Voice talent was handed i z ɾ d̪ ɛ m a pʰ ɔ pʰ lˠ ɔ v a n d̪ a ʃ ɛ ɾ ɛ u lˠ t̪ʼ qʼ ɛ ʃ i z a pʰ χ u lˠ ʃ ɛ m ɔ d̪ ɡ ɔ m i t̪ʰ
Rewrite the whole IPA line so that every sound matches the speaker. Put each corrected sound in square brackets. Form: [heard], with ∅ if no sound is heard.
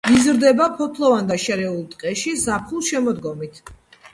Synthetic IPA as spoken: i z ɾ d̪ ɛ [b] a pʰ ɔ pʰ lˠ ɔ v a n d̪ a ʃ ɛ ɾ ɛ u lˠ t̪ʼ qʼ ɛ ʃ i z a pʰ χ u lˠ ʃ ɛ m ɔ d̪ ɡ ɔ m i t̪ʰ